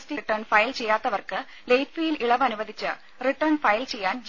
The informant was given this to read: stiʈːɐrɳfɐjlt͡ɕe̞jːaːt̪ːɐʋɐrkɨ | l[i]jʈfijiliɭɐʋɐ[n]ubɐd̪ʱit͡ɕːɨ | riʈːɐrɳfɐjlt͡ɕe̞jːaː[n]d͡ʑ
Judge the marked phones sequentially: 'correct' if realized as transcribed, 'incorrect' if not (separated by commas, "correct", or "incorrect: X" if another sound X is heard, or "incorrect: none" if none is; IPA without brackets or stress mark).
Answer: incorrect: e, correct, correct